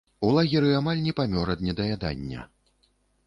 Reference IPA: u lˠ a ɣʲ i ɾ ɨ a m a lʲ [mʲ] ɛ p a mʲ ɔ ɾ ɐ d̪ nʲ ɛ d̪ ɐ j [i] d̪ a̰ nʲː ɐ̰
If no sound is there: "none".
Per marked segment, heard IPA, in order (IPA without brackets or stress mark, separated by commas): nʲ, a